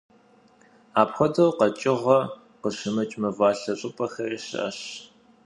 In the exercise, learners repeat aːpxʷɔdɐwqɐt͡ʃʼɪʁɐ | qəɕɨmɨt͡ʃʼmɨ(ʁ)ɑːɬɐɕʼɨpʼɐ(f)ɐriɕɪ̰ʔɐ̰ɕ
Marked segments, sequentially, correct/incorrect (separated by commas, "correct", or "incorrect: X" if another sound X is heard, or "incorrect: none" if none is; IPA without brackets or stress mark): incorrect: v, incorrect: x